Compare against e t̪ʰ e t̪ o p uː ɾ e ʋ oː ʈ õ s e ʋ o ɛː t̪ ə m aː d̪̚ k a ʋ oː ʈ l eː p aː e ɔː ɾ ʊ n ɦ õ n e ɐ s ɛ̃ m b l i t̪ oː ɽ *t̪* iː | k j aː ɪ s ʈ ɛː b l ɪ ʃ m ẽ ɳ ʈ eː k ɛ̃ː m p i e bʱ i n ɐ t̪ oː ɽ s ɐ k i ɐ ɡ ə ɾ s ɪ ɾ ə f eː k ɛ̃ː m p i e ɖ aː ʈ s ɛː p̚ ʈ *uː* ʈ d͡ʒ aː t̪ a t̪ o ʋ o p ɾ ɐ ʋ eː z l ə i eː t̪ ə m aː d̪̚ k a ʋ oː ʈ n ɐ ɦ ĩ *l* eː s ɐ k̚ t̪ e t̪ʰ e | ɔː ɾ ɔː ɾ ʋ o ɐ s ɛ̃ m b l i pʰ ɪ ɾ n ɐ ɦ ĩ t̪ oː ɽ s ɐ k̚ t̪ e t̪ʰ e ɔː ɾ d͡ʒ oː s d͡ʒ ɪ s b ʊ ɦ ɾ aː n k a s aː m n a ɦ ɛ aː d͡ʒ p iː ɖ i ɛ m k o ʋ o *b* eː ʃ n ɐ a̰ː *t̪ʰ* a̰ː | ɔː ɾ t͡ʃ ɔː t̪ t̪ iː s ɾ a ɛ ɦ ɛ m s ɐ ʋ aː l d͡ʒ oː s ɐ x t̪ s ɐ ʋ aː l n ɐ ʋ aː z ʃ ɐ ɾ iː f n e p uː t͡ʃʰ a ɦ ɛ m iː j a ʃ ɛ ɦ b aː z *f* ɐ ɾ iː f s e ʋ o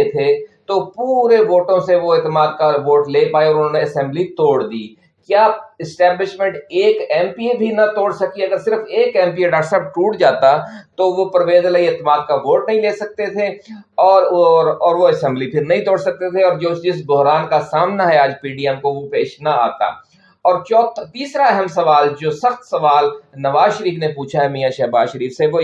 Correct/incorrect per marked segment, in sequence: incorrect: d̪, correct, correct, incorrect: p, incorrect: t̪, incorrect: ʃ

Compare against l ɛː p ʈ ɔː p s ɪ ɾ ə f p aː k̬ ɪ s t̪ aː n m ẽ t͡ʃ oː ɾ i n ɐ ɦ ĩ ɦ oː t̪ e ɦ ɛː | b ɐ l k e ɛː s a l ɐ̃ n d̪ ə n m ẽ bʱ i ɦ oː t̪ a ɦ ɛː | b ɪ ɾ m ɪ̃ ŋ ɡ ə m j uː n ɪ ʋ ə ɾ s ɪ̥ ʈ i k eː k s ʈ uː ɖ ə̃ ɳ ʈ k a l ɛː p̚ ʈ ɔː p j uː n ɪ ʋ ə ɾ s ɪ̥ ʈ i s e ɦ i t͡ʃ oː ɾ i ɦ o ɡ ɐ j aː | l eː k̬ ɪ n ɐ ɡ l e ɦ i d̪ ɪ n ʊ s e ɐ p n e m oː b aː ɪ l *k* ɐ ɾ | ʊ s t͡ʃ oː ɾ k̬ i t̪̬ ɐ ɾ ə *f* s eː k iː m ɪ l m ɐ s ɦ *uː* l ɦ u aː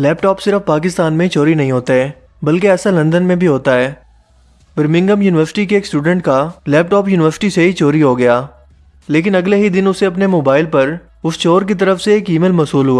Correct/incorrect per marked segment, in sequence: incorrect: p, correct, correct

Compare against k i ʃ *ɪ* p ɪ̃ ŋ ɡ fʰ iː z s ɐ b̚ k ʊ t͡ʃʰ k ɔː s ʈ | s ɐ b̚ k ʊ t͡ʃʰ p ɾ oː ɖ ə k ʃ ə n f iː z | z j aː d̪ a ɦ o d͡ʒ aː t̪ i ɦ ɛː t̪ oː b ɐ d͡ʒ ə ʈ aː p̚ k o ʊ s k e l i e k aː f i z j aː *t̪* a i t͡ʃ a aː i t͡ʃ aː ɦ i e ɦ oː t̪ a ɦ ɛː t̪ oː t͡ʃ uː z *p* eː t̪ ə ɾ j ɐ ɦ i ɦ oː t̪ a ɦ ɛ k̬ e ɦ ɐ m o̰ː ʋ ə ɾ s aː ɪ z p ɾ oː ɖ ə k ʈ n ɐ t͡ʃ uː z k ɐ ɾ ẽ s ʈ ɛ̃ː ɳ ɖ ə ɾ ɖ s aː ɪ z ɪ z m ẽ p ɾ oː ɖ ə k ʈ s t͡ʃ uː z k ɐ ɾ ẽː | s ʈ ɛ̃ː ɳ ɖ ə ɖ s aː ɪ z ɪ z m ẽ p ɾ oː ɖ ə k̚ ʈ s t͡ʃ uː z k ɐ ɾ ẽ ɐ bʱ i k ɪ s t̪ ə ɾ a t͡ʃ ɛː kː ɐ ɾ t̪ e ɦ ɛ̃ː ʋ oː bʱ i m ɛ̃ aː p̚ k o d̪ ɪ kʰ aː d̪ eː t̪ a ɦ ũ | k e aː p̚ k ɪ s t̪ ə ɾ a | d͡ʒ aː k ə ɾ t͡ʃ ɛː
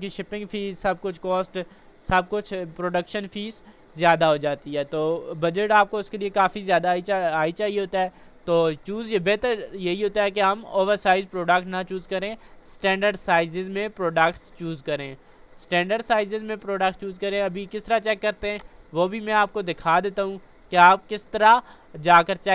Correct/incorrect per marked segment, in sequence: correct, incorrect: d̪, incorrect: b

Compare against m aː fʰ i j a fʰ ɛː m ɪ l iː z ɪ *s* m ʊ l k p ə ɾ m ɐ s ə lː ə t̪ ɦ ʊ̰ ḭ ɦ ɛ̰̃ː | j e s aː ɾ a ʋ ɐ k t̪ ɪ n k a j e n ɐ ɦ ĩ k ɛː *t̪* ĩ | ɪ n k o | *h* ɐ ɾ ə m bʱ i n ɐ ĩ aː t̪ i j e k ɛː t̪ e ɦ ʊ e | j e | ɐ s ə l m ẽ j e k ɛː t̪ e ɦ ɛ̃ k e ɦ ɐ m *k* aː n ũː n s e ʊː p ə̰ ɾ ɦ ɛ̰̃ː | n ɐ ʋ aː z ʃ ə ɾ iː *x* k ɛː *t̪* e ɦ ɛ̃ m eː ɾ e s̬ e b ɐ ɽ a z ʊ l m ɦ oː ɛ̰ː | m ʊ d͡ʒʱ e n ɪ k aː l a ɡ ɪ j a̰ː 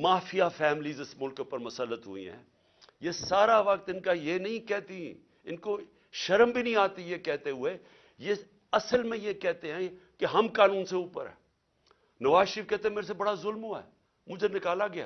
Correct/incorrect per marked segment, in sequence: correct, correct, incorrect: ʃ, correct, incorrect: f, correct

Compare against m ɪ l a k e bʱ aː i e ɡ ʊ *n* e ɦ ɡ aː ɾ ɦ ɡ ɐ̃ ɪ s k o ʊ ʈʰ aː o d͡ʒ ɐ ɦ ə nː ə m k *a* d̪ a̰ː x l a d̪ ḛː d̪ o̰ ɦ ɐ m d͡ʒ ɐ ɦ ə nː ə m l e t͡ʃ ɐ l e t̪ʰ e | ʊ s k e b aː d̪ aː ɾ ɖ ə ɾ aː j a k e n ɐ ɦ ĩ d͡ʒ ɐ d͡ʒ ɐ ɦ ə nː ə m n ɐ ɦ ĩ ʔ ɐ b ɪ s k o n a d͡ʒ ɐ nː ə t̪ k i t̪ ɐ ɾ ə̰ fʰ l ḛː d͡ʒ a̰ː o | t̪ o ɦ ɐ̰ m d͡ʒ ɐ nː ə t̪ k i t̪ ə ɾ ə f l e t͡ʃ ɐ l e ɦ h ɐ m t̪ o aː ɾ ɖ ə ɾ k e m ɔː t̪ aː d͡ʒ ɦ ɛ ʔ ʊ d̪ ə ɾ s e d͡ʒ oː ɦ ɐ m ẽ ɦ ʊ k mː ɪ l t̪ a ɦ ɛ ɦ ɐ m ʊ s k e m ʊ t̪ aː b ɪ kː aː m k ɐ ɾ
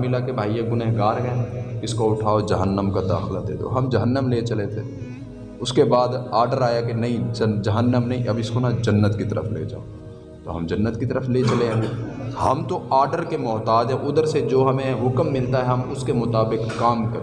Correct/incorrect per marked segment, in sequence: correct, correct

